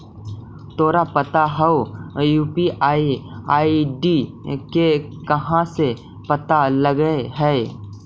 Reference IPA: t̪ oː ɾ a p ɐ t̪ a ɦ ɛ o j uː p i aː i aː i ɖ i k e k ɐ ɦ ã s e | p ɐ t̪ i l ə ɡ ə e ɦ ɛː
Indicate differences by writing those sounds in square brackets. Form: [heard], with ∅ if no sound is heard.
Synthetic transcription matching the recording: t̪ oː ɾ a p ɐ t̪ a ɦ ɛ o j uː p i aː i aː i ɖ i k e k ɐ ɦ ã s e | p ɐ t̪ [a] l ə ɡ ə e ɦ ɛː